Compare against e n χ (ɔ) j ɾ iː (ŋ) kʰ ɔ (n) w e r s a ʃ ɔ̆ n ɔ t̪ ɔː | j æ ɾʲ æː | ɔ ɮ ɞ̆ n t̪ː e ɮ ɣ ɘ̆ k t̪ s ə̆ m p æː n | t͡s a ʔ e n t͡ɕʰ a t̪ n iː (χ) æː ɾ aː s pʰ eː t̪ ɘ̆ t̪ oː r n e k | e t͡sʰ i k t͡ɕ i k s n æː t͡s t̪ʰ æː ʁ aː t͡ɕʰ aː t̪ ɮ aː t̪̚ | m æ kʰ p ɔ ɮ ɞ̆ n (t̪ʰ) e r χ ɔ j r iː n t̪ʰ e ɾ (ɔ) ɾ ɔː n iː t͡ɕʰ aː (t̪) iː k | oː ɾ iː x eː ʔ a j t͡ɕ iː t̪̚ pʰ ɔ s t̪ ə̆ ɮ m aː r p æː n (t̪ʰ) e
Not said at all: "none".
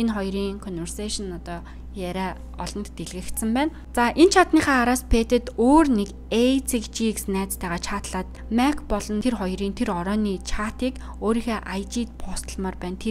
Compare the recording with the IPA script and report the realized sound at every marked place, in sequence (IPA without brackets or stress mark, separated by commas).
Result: ɔ, ŋ, n, χ, t̪ʰ, ɔ, t̪, t̪ʰ